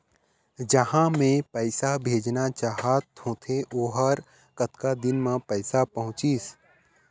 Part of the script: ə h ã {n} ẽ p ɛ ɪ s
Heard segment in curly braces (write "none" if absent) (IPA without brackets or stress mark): m